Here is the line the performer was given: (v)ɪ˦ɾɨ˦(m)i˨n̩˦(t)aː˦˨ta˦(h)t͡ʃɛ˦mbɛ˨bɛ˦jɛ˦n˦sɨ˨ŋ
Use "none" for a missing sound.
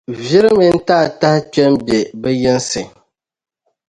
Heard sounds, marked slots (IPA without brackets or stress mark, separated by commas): v, m, t, h